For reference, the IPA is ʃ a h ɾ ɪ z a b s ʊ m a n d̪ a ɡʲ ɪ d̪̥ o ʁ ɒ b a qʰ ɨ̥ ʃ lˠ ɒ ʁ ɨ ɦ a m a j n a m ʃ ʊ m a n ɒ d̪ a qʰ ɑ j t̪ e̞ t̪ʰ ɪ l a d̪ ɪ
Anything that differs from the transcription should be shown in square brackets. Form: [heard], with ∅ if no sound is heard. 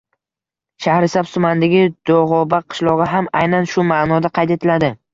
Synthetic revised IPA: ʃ a h ɾ ɪ [s] a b s ʊ m a n d̪ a ɡʲ ɪ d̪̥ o ʁ ɒ b a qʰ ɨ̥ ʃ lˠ ɒ ʁ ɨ ɦ a m a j n a [n] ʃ ʊ m a n ɒ d̪ a qʰ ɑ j t̪ e̞ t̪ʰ ɪ l a d̪ ɪ